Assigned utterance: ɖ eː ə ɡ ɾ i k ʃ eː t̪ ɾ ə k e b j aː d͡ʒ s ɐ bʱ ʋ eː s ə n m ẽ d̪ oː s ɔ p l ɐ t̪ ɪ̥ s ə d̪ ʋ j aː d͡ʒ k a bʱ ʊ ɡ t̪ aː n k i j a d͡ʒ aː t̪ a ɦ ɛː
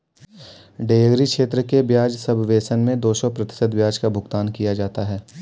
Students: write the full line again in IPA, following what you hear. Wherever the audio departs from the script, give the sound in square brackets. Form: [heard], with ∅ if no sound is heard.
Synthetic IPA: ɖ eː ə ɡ ɾ i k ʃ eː t̪ ɾ ə k e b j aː d͡ʒ s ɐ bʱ ʋ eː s ə n m ẽ d̪ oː s ɔ p [ɾ] ɐ t̪ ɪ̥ s ə d̪ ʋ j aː d͡ʒ k a bʱ ʊ ɡ t̪ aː n k i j a d͡ʒ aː t̪ a ɦ ɛː